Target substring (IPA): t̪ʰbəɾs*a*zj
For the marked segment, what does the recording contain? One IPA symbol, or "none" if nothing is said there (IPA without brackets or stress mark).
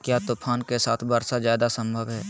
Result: a